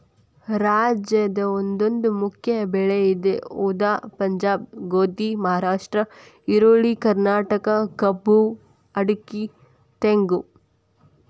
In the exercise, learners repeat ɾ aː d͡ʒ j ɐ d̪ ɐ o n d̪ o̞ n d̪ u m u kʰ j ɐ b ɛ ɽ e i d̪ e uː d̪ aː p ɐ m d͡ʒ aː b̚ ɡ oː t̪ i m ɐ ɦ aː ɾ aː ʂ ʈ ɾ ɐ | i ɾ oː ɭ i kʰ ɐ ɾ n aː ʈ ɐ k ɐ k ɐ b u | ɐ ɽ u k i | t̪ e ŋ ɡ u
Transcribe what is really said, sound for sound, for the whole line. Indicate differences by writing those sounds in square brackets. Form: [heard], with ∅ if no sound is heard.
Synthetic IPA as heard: ɾ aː d͡ʒ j ɐ d̪ ɐ o n d̪ o̞ n d̪ u m u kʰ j ɐ b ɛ [ɭ] e i d̪ e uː d̪ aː p ɐ [ɲ] d͡ʒ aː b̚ ɡ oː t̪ i m ɐ ɦ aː ɾ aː ʂ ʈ ɾ ɐ | i ɾ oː ɭ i [k] ɐ ɾ n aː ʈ ɐ k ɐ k ɐ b u | ɐ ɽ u k i | t̪ e ŋ ɡ u